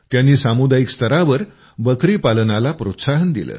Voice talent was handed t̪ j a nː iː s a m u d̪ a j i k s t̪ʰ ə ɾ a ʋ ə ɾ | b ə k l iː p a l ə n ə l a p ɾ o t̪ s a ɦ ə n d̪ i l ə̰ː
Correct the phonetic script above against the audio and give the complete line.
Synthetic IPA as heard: t̪ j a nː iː s a m u d̪ a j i k s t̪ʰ ə ɾ a ʋ ə ɾ | b ə k ɾ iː p a l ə n a l a p ɾ o t̪ s a ɦ ə n d̪ i l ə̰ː